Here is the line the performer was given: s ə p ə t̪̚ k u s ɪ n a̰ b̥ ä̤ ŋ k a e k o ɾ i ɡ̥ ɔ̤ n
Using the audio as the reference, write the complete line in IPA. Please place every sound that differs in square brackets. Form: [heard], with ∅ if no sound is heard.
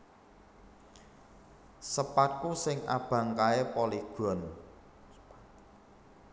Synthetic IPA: s ə p [a] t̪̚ k u s ɪ [ŋ] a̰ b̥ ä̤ ŋ k a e [p] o [l] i ɡ̥ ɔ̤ n